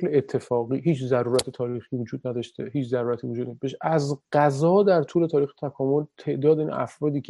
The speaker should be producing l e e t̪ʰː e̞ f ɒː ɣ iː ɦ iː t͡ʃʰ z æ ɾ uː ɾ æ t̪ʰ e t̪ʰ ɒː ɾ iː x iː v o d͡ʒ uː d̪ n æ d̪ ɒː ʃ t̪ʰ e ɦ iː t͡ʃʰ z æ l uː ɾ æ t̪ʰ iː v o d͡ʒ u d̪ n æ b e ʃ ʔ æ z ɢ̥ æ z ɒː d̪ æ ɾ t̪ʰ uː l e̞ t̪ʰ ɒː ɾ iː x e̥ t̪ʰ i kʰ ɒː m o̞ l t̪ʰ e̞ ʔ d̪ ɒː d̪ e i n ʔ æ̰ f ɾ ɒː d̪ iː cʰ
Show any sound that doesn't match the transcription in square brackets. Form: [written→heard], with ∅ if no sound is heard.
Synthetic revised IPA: l e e t̪ʰː e̞ f ɒː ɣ iː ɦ iː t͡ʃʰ z æ ɾ uː ɾ æ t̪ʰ e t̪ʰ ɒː ɾ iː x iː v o d͡ʒ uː d̪ n æ d̪ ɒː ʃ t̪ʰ e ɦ iː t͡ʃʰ z æ [l→ɾ] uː ɾ æ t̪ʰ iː v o d͡ʒ u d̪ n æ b e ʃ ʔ æ z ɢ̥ æ z ɒː d̪ æ ɾ t̪ʰ uː l e̞ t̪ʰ ɒː ɾ iː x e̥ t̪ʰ [i→æ] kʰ ɒː m o̞ l t̪ʰ e̞ ʔ d̪ ɒː d̪ e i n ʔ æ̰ f ɾ ɒː d̪ iː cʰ